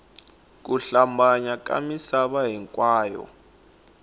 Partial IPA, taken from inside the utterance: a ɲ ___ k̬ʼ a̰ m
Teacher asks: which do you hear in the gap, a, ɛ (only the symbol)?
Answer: a